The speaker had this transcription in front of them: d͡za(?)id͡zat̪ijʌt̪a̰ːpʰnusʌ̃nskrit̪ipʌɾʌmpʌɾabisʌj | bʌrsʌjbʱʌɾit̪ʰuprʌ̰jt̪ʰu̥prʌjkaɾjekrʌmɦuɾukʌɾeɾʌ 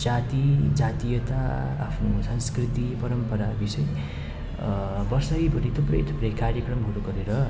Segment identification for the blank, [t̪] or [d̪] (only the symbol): t̪